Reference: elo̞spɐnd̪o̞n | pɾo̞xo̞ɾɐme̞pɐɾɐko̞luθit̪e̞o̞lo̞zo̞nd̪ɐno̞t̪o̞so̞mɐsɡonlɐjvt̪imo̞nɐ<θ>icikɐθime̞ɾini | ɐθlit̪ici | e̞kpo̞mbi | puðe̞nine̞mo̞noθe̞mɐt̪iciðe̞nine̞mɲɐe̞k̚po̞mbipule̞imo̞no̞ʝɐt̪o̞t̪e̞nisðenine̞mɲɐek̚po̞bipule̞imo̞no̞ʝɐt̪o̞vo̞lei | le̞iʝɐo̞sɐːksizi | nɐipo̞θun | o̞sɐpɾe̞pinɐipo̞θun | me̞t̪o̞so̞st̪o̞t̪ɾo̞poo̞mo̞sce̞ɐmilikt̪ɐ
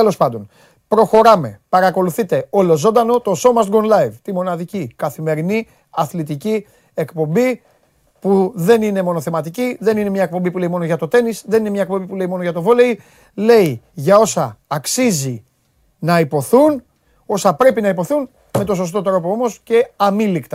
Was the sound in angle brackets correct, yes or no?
no